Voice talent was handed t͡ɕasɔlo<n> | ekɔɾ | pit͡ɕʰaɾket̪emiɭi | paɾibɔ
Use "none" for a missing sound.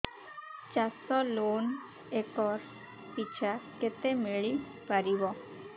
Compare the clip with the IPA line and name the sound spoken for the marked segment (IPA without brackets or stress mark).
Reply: n